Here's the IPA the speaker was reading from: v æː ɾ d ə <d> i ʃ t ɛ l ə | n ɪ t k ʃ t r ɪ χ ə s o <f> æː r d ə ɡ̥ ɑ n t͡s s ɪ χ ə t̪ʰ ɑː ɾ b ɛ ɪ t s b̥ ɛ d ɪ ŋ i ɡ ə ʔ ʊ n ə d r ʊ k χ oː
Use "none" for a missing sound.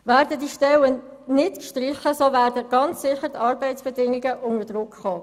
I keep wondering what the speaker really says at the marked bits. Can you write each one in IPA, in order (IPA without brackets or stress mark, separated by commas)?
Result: d, v